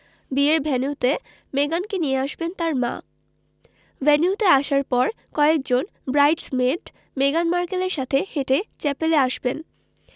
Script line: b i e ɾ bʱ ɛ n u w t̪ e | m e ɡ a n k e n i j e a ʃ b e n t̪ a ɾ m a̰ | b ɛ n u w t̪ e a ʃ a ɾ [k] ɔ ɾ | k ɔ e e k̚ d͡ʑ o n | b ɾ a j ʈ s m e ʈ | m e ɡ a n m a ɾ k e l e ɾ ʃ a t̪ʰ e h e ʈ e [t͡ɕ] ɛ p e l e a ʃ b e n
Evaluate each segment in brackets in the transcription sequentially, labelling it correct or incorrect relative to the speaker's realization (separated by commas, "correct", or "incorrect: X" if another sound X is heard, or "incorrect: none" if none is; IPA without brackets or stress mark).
incorrect: p, correct